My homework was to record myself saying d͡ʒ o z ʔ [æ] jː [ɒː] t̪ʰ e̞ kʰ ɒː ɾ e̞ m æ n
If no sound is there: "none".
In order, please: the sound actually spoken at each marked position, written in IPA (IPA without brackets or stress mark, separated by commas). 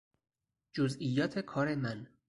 i, ɒː